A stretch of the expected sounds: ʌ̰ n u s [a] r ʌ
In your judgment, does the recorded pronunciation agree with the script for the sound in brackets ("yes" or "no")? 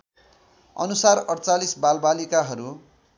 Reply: yes